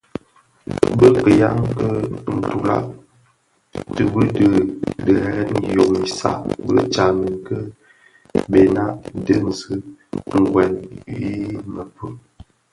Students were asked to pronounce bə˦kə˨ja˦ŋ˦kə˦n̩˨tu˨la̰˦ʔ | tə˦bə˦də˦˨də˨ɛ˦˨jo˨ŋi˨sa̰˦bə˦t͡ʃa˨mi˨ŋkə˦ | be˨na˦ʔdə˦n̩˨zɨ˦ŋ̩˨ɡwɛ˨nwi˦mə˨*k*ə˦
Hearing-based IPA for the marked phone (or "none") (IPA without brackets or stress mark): p